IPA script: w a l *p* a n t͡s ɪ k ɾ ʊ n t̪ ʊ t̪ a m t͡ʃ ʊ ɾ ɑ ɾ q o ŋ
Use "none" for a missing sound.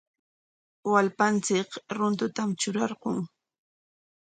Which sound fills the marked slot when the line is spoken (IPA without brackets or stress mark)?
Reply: p